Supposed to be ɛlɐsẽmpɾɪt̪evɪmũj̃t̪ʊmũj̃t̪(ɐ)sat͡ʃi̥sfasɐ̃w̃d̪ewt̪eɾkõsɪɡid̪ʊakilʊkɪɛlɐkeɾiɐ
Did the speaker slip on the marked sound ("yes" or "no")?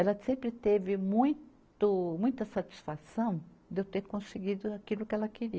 no